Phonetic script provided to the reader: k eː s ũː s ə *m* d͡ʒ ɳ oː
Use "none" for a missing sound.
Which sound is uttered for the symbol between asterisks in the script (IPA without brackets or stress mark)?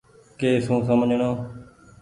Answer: m